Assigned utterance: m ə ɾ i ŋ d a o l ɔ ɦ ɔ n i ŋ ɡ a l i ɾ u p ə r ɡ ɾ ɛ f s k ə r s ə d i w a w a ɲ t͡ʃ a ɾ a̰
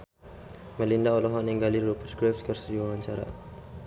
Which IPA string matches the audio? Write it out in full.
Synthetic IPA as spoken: m ə l i n d a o l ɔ ɦ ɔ n i ŋ ɡ a l i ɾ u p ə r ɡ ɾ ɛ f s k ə r s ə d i w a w a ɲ t͡ʃ a ɾ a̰